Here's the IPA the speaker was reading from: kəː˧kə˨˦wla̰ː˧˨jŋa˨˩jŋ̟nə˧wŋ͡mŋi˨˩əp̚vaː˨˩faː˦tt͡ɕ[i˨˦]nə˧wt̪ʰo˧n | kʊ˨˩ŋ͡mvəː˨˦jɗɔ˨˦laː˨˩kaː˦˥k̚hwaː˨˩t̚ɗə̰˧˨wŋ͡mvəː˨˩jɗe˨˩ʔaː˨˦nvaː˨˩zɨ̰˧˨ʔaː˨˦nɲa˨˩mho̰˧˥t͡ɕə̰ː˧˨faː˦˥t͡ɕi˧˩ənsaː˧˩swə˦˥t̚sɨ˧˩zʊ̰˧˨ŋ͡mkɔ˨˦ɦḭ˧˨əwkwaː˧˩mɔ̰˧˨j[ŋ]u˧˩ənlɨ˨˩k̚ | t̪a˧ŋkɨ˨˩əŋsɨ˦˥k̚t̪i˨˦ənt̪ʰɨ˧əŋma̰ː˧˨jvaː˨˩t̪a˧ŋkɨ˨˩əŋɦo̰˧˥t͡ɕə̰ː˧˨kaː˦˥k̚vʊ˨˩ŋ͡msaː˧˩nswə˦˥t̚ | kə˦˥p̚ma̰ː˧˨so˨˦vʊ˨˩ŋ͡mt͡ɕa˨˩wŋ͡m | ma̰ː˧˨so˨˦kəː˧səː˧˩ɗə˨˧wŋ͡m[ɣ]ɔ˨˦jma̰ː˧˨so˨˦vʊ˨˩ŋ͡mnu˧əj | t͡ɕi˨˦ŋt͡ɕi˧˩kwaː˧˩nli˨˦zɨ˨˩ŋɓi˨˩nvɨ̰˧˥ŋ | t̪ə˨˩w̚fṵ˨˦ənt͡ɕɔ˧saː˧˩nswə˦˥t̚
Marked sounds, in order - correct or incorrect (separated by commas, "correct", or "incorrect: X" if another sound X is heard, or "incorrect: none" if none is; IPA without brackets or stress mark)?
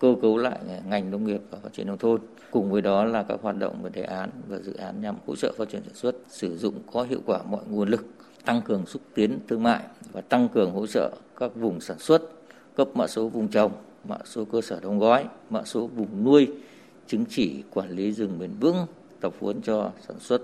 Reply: incorrect: i˧˩, correct, correct